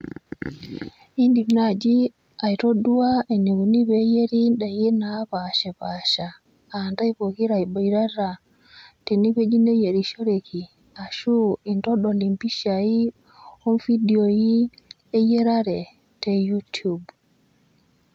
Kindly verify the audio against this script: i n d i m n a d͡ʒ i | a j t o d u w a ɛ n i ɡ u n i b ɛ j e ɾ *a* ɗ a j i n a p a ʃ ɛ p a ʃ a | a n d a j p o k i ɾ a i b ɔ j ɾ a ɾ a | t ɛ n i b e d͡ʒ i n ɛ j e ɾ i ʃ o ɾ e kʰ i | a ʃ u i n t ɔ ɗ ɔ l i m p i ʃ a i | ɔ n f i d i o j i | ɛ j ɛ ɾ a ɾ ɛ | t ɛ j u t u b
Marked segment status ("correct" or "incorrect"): incorrect